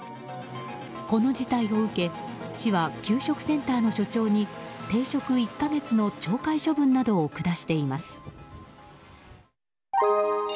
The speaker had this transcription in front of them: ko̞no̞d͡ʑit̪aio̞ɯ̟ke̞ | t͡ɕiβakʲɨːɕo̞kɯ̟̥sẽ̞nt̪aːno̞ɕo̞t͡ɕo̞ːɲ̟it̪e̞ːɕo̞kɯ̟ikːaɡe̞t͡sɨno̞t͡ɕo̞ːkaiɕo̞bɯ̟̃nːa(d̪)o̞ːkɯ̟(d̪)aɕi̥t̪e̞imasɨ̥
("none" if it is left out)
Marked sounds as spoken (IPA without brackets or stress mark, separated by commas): d̪, d̪